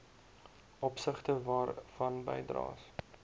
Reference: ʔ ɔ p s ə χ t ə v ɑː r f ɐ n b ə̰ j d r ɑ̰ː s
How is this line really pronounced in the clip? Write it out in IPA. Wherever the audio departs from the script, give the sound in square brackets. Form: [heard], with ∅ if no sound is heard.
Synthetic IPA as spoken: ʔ ɔ p s ə χ t ə v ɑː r f ɐ n b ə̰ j d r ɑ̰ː s